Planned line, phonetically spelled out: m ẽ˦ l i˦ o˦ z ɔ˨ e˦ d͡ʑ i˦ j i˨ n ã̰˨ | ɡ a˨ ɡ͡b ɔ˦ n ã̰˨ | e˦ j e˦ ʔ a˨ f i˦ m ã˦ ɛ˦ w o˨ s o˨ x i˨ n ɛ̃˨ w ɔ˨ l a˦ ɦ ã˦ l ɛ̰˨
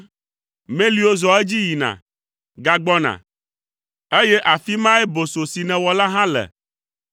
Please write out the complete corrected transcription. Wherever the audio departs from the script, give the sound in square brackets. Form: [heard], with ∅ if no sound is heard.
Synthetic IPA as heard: m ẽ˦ l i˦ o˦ z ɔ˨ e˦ d͡ʑ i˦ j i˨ n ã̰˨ | ɡ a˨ ɡ͡b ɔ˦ n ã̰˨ | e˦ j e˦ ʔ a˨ f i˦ m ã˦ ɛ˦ [b] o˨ s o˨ [s] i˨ n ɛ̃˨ w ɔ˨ l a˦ ɦ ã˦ l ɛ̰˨

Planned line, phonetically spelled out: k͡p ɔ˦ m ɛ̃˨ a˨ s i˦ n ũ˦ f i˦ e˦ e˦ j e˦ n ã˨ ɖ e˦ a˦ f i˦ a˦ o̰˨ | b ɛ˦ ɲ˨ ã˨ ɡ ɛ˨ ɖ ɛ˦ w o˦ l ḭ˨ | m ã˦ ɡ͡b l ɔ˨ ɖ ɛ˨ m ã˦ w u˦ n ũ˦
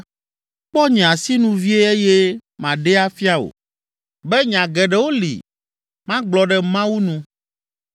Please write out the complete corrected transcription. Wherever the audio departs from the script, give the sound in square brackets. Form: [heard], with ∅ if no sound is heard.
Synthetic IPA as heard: k͡p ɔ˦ [ɲ] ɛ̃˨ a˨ s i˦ n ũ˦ [v] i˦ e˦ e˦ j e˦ [m] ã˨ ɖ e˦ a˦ f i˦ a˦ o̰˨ | b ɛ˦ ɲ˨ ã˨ ɡ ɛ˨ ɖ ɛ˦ w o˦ l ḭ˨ | m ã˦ ɡ͡b l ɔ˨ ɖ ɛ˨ m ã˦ w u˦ n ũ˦

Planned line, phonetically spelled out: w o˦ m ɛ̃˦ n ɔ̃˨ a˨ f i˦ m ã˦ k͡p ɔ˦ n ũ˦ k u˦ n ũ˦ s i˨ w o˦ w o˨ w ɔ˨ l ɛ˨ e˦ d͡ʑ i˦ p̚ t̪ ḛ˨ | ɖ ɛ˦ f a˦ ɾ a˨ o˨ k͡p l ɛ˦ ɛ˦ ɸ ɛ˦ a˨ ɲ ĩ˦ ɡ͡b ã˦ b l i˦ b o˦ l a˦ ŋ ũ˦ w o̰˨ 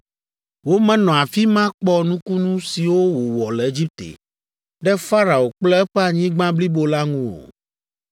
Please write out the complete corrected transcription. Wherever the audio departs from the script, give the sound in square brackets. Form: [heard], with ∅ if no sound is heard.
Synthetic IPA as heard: w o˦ m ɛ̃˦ n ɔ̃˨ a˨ f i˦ m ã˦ k͡p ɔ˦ n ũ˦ k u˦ n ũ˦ s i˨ w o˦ w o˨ w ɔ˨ l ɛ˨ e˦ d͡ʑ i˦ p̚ t̪ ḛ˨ | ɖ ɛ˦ f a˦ ɾ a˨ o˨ k͡p l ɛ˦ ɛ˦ ɸ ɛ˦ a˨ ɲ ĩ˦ ɡ͡b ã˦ b l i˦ b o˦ l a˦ ŋ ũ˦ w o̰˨

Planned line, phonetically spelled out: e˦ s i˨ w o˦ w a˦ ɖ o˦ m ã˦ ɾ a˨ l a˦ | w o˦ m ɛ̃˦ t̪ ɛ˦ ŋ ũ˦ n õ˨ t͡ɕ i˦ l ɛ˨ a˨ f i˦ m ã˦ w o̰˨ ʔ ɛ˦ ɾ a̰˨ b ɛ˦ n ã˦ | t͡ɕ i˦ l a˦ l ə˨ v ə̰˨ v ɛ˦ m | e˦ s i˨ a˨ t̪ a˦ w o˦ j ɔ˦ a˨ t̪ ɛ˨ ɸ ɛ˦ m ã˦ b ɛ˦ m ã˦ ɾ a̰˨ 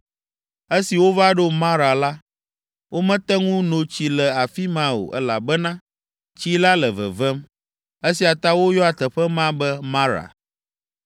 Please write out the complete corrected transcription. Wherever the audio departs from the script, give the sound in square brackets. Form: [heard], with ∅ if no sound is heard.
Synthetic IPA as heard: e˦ s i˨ w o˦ [v] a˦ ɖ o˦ m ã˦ ɾ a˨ l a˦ | w o˦ m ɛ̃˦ t̪ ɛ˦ ŋ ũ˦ n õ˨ t͡ɕ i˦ l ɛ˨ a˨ f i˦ m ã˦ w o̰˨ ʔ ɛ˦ [l] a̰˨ b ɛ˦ n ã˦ | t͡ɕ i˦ l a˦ l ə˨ v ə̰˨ v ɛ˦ m | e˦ s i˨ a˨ t̪ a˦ w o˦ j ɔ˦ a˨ t̪ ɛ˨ ɸ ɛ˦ m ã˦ b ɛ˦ m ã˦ ɾ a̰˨

